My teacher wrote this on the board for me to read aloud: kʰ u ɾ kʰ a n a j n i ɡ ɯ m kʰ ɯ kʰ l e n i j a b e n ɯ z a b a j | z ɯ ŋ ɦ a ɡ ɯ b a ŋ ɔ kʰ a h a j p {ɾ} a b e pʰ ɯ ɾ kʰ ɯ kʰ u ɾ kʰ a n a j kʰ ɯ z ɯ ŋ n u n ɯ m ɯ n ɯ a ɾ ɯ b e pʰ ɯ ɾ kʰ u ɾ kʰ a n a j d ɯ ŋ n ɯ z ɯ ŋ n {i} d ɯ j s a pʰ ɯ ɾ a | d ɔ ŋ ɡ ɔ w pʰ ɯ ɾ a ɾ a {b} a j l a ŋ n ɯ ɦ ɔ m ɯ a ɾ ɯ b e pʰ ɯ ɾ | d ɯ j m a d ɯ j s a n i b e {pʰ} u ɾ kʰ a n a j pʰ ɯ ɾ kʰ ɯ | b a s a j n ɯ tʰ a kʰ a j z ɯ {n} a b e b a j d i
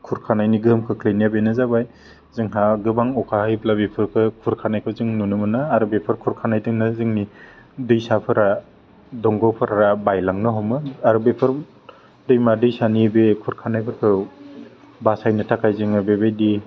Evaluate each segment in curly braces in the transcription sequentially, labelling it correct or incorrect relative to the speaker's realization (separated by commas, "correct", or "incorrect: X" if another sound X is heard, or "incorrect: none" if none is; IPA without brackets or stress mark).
incorrect: l, correct, correct, incorrect: kʰ, incorrect: ŋ